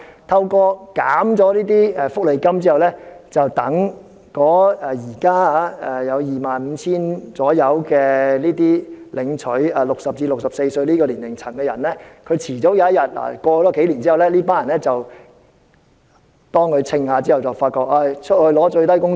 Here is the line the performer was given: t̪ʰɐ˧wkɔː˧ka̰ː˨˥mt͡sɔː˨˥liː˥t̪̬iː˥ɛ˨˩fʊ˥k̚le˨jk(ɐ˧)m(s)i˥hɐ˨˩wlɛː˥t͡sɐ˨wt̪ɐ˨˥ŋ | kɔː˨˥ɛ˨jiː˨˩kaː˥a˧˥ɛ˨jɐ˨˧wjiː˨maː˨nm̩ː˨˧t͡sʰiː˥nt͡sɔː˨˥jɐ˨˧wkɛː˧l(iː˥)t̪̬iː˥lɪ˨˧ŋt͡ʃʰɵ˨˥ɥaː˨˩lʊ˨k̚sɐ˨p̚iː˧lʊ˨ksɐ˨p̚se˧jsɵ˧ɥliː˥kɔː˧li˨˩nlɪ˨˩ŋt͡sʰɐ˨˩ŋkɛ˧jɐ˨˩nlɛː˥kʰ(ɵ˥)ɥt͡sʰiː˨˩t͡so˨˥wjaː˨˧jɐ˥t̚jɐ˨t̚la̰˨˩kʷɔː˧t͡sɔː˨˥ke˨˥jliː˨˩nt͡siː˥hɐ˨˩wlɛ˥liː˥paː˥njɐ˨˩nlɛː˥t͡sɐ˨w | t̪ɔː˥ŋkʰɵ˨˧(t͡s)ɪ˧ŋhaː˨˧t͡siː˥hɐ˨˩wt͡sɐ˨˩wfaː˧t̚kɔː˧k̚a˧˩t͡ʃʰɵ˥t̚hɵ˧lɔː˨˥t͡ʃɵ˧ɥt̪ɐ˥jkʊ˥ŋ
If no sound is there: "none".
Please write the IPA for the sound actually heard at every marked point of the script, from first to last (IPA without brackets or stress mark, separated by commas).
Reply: ɐ˥, t͡s, iː˥, ɵ˨˧, t͡sʰ